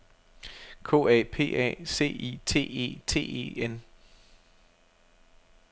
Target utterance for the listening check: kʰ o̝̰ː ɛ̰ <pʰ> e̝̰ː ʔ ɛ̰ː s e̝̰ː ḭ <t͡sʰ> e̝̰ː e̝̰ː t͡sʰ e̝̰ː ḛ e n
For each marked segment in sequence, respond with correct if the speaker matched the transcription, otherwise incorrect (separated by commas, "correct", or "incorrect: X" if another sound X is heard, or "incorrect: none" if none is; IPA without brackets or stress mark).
correct, correct